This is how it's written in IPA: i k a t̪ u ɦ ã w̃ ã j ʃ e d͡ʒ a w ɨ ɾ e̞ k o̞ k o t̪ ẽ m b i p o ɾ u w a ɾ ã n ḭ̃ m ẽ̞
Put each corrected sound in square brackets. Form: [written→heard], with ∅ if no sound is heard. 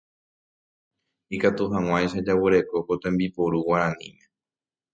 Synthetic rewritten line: i k a t̪ u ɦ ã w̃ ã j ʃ [e→a] d͡ʒ a w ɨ ɾ e̞ k o̞ k o t̪ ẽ m b i p o ɾ u w a ɾ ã n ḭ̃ m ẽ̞